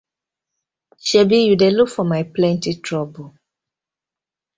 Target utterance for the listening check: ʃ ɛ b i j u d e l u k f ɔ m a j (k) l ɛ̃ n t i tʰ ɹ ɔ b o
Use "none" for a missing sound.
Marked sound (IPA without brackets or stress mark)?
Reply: p